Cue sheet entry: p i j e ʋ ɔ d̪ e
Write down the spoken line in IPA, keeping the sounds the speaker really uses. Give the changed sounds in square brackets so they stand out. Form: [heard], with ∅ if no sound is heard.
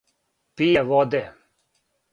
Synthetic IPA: p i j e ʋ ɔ d̪ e